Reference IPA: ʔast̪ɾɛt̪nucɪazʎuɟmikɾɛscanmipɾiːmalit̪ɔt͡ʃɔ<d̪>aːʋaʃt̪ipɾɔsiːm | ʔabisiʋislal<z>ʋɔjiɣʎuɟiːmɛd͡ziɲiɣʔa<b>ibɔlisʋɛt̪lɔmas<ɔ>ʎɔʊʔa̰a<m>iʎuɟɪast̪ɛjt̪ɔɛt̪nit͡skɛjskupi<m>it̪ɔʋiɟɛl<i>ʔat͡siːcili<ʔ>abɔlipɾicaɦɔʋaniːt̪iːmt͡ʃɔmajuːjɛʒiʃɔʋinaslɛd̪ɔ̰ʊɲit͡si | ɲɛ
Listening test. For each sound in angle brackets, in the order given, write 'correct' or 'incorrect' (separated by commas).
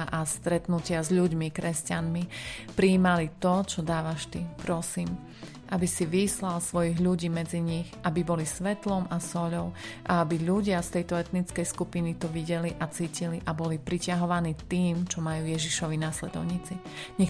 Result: correct, incorrect, correct, correct, incorrect, incorrect, correct, correct